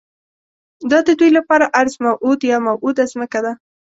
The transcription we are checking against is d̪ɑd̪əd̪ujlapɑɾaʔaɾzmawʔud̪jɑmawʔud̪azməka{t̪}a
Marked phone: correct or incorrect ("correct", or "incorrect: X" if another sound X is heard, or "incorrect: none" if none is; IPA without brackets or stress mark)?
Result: incorrect: d̪